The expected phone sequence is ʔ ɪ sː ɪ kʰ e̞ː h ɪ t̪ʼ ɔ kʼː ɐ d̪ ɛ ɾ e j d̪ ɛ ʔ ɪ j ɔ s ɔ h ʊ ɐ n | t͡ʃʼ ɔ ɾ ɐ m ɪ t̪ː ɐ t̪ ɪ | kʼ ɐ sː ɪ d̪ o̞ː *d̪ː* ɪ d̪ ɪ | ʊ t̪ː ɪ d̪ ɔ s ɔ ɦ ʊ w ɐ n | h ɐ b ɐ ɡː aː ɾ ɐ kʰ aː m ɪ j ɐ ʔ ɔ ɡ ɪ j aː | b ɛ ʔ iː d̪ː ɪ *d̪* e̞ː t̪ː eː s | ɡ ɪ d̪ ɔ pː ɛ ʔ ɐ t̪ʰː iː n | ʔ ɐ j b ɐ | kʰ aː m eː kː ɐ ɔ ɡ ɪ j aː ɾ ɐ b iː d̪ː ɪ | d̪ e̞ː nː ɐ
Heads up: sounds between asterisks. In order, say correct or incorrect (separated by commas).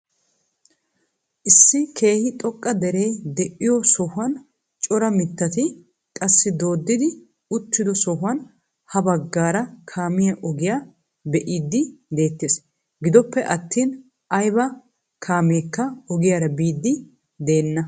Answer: correct, correct